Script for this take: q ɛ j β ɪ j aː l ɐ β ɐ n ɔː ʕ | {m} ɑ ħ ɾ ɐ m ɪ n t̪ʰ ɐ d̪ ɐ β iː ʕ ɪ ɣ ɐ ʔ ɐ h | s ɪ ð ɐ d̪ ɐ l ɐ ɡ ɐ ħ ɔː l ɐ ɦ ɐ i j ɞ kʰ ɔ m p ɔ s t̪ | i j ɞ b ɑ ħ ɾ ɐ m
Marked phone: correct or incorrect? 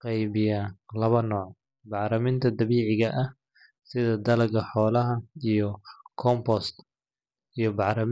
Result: incorrect